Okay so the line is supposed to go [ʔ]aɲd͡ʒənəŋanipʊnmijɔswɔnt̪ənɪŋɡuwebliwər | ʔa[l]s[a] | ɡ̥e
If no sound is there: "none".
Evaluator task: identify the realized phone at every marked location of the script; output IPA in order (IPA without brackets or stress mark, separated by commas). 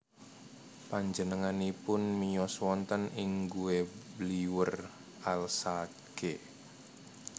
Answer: p, l, a